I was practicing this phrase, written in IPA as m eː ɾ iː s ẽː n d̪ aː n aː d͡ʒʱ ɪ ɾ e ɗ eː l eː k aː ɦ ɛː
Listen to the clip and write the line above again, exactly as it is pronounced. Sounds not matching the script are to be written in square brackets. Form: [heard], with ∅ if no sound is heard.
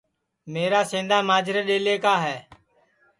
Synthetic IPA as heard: m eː ɾ [aː] s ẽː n d̪ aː [m] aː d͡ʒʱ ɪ ɾ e ɗ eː l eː k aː ɦ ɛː